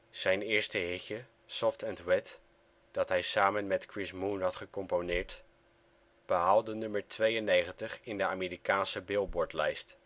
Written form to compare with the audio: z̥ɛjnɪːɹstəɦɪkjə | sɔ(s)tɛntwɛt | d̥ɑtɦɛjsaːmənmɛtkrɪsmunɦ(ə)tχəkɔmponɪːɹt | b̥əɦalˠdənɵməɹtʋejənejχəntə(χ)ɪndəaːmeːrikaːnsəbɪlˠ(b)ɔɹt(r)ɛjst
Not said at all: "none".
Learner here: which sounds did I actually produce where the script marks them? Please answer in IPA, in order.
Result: f, ɑ, χ, b, l

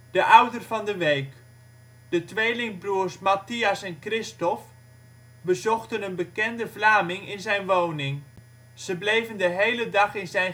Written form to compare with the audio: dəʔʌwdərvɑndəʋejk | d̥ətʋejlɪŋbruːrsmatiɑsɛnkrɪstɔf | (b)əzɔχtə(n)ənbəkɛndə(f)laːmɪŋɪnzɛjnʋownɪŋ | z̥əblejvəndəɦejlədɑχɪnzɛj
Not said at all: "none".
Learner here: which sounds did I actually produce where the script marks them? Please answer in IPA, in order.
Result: b, n, v

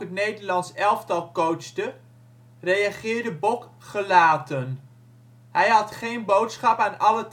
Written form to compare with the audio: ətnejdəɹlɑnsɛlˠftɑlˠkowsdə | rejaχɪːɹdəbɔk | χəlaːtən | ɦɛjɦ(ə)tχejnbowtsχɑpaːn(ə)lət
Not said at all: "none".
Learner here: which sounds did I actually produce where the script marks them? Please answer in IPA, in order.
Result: ɑ, ɑ

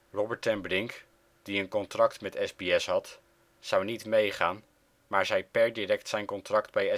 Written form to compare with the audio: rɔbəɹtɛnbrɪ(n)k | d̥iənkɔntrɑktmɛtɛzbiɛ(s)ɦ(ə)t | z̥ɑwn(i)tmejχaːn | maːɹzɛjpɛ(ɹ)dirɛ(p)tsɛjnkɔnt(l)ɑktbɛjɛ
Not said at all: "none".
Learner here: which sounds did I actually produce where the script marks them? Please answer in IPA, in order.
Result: ŋ, s, ɑ, i, ɹ, k, r

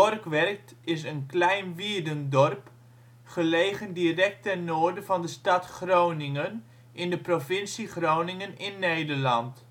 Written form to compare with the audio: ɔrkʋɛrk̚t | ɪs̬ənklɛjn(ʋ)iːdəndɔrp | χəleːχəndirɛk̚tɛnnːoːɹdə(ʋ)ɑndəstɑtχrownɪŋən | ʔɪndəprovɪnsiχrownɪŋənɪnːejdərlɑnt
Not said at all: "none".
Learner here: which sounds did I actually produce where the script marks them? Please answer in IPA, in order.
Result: ʋ, v

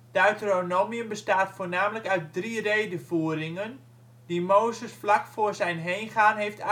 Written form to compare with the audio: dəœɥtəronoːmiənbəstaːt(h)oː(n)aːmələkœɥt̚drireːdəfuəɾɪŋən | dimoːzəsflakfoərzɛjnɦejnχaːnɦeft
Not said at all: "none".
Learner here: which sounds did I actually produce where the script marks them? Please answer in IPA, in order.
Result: f, n

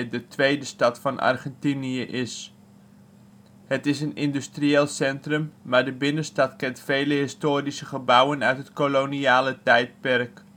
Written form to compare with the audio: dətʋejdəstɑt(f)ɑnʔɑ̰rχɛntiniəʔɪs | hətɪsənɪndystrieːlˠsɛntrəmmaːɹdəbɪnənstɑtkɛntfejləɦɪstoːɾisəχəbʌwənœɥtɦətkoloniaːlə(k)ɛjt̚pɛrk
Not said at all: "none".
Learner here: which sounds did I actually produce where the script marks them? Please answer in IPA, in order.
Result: f, t

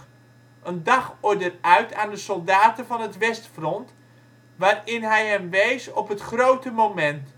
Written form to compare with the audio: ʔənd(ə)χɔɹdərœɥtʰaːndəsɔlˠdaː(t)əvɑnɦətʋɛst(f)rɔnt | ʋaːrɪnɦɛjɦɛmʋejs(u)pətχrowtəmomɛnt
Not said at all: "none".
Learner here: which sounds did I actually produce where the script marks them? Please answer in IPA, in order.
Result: ɑ, t, f, ɔ

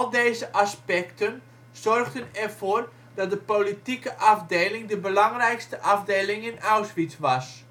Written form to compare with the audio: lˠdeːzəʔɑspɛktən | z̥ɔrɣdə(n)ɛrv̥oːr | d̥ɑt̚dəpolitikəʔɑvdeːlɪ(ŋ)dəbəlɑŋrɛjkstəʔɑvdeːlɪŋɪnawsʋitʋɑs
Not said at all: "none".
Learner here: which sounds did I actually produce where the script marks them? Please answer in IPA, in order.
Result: n, ŋ

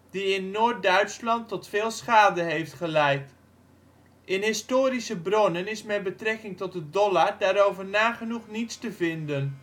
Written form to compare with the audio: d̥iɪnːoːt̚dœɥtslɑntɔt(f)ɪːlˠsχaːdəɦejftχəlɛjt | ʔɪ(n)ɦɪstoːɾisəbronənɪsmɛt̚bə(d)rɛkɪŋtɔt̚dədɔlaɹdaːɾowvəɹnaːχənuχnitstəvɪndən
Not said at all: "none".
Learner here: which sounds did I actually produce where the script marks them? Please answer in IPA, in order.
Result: f, n, t

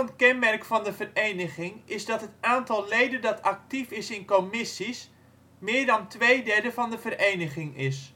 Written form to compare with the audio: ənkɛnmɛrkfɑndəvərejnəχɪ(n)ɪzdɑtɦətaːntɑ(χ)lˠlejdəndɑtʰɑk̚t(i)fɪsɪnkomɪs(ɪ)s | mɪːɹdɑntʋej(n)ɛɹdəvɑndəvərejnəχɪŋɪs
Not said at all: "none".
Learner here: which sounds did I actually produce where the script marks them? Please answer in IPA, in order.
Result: ŋ, none, i, i, d

